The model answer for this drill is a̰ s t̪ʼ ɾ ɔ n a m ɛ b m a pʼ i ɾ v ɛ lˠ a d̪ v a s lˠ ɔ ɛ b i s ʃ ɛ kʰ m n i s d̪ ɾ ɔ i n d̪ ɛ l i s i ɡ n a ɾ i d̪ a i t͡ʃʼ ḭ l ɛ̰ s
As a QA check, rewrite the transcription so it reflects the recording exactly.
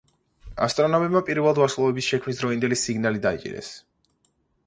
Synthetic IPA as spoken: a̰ s t̪ʼ ɾ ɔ n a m ɛ b m a pʼ i ɾ v ɛ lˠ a d̪ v a s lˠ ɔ ɛ b i s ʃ ɛ kʰ m n i s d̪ ɾ ɔ i n d̪ ɛ l i s i ɡ n a l i d̪ a i t͡ʃʼ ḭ ɾ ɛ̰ s